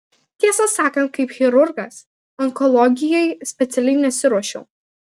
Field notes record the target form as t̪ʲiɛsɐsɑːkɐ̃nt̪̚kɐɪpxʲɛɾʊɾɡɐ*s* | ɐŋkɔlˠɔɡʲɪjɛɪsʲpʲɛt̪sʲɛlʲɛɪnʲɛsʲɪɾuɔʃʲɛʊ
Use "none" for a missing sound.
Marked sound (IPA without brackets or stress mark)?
s